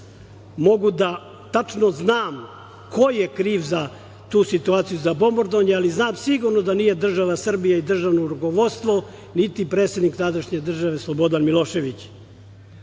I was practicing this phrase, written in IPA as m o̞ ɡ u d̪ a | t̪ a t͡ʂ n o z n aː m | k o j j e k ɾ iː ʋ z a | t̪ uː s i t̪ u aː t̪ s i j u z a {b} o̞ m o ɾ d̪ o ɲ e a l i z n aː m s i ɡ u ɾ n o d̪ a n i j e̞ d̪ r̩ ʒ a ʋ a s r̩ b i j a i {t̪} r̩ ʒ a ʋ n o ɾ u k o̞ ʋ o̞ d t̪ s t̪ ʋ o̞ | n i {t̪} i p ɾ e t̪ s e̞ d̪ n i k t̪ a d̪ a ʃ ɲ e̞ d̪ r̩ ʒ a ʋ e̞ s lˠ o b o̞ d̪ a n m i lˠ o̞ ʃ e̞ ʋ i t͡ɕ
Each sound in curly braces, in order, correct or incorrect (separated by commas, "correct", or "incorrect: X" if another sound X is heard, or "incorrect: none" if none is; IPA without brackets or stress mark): correct, incorrect: d̪, correct